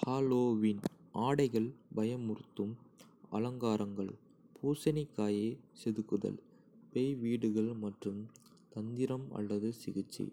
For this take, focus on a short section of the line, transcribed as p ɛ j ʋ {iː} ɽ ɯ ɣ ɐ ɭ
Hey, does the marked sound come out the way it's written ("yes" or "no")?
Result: yes